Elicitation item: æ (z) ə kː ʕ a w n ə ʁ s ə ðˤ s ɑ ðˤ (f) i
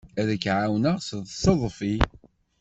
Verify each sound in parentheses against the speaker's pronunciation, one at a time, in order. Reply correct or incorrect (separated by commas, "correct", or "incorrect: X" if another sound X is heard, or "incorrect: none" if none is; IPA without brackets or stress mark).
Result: incorrect: ð, correct